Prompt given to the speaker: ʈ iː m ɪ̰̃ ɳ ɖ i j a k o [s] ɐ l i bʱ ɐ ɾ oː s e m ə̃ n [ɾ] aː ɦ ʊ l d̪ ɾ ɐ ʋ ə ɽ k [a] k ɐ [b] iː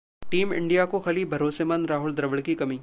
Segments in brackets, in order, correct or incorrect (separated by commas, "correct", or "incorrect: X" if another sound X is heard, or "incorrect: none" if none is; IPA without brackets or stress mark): incorrect: x, correct, incorrect: i, incorrect: m